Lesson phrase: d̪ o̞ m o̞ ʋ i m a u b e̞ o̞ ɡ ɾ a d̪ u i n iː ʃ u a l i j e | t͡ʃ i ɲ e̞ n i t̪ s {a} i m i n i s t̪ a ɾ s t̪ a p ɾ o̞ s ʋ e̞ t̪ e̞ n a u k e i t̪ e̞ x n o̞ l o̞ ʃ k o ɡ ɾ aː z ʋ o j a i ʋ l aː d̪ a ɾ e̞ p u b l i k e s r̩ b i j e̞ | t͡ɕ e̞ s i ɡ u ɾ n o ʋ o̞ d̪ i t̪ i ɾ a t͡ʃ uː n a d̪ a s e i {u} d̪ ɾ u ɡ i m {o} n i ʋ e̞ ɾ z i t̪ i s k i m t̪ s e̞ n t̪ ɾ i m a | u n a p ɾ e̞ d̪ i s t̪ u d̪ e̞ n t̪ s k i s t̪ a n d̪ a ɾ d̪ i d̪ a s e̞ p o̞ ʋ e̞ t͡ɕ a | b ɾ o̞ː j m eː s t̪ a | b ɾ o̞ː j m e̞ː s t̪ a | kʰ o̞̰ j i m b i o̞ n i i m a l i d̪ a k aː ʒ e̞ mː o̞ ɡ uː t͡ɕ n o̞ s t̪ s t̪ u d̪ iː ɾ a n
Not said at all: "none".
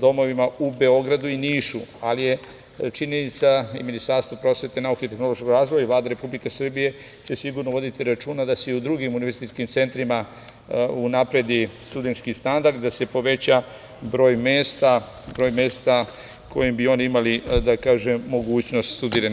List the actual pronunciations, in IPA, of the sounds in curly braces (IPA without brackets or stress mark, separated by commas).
a, u, u